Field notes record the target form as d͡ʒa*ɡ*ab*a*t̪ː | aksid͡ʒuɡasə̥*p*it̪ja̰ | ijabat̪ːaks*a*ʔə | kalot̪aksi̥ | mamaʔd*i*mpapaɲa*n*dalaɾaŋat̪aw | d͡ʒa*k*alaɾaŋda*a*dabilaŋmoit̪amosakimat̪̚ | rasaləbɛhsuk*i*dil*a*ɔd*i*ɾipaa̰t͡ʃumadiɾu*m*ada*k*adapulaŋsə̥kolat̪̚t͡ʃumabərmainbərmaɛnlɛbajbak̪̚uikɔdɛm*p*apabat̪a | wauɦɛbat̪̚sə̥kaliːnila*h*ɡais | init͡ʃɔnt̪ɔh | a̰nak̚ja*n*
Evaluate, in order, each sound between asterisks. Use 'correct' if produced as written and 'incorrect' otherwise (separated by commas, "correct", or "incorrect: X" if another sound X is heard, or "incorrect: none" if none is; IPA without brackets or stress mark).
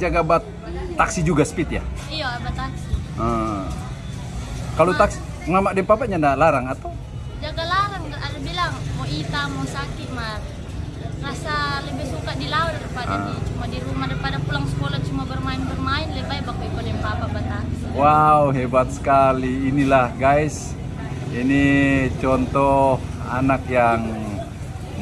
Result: correct, correct, correct, incorrect: i, incorrect: ɛ, correct, incorrect: ɡ, correct, incorrect: a, correct, incorrect: a, correct, incorrect: p, correct, correct, incorrect: ŋ